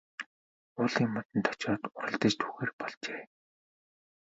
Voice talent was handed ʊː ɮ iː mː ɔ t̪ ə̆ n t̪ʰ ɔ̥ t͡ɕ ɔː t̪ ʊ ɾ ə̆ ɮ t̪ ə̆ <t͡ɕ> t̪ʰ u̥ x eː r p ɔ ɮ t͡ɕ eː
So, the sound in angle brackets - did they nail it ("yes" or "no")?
yes